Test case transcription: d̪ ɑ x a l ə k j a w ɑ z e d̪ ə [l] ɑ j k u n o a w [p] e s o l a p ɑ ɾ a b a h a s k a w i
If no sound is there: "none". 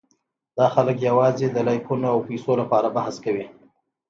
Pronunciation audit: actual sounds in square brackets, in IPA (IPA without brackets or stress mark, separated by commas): l, p